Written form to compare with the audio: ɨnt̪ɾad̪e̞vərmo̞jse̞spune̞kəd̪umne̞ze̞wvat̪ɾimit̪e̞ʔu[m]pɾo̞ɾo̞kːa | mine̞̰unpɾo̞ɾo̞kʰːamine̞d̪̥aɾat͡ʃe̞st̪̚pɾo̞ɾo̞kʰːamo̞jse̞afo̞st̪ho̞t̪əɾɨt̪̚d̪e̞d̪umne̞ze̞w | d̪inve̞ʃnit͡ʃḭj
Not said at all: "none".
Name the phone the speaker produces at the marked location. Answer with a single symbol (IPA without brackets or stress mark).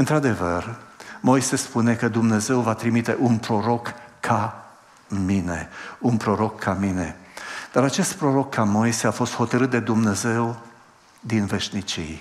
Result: n